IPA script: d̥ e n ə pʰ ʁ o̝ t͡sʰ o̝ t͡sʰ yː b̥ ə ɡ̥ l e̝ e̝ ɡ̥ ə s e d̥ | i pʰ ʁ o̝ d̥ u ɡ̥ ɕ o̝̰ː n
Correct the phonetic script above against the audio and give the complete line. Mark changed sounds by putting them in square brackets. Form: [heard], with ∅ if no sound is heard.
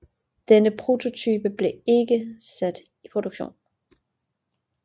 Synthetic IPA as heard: d̥ e n ə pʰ ʁ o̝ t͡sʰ o̝ t͡sʰ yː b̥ ə [b̥] l e̝ e̝ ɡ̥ ə s [æ] d̥ | i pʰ ʁ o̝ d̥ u ɡ̥ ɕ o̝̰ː n